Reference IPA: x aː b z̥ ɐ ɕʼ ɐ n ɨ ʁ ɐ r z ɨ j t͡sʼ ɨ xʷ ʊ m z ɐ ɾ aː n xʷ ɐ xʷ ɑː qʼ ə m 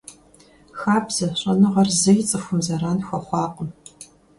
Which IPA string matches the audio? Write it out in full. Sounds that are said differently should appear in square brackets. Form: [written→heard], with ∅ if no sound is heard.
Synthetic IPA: x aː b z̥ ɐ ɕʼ ɐ n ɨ ʁ ɐ r z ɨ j t͡sʼ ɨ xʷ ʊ m z ɐ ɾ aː n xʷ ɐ [xʷ→χʷ] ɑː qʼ ə m